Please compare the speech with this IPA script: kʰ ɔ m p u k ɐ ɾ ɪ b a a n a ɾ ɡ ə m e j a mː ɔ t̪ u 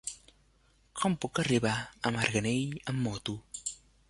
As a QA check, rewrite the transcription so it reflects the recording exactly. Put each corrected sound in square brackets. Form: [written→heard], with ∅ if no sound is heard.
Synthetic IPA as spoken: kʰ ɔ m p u k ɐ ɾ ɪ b a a [n→m] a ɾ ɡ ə [m→n] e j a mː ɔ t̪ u